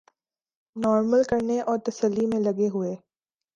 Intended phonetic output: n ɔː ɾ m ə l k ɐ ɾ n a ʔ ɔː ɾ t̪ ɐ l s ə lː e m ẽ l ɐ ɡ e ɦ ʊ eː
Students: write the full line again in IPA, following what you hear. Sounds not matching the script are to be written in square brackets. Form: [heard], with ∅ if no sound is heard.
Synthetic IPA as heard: n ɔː ɾ m ə l k ɐ ɾ n [e] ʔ ɔː ɾ t̪ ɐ [∅] s ə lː [i] m ẽ l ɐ ɡ e ɦ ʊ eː